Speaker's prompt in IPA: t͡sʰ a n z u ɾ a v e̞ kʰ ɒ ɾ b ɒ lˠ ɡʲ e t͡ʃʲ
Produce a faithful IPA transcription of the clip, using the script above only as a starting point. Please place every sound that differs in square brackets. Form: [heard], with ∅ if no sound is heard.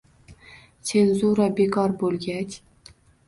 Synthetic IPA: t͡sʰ [e] n z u ɾ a [b] e̞ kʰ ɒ ɾ b [o] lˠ ɡʲ [a] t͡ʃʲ